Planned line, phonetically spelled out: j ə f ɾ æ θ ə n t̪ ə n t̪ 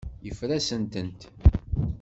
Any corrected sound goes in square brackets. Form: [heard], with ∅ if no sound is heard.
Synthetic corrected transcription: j ə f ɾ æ [s] ə n t̪ ə n t̪